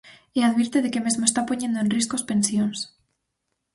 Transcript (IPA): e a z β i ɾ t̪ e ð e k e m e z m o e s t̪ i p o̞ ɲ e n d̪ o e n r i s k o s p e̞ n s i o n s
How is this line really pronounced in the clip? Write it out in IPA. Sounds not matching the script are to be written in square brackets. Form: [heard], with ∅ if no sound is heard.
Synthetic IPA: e a [ð] β i ɾ t̪ e ð e k e m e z m o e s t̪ [a] p o̞ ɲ e n d̪ o e n r i s k o s p e̞ n s [j] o n s